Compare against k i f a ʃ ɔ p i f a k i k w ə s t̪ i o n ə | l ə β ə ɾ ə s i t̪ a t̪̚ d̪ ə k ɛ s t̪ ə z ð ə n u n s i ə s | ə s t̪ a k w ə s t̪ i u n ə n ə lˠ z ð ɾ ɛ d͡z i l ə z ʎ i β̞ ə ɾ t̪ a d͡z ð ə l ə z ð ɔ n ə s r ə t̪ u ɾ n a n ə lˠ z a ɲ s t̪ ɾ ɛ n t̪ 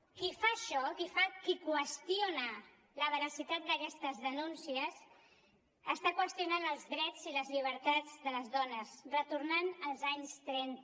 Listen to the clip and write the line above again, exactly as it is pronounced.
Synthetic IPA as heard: k i f a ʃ ɔ k i f a k i k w ə s t̪ i o n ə | l ə β ə ɾ ə s i t̪ a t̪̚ d̪ ə k ɛ s t̪ ə z ð ə n u n s i ə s | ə s t̪ a k w ə s t̪ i u n a n ə lˠ z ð ɾ ɛ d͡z i l ə z ʎ i β̞ ə ɾ t̪ a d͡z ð ə l ə z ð ɔ n ə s r ə t̪ u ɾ n a n ə lˠ z a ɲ s t̪ ɾ ɛ n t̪

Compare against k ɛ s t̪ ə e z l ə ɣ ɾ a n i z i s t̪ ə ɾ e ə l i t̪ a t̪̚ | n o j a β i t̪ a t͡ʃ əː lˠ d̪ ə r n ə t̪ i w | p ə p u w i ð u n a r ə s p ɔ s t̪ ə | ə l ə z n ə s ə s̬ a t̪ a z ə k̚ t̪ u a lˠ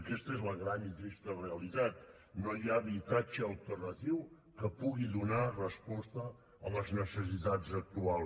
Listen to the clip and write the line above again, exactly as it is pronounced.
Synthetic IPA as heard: k ɛ s t̪ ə e z l ə ɣ ɾ a n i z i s t̪ ə r e ə l i t̪ a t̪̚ | n o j a β i t̪ a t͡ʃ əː lˠ t̪ ə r n ə t̪ i w | k ə p u ɣ i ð u n a r ə s p ɔ s t̪ ə | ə l ə z n ə s ə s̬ i t̪ a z ə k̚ t̪ u a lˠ

